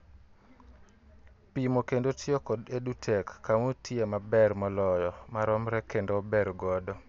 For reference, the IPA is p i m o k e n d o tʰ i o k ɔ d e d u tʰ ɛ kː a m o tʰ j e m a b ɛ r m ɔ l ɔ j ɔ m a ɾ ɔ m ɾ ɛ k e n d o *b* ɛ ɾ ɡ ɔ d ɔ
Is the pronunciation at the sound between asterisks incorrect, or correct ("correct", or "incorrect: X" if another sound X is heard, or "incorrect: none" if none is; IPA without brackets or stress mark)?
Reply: correct